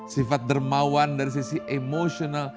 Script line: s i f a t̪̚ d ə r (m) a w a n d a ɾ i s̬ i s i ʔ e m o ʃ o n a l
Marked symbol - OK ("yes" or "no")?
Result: yes